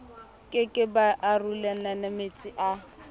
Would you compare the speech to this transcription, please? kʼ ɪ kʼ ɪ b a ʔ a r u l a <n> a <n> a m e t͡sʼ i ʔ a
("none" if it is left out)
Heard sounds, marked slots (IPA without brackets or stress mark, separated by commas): n, n